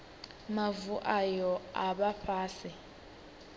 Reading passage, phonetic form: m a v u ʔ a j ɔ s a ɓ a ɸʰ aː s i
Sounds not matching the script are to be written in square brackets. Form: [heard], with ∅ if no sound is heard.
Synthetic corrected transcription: m a v u ʔ a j ɔ [∅] a ɓ a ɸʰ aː s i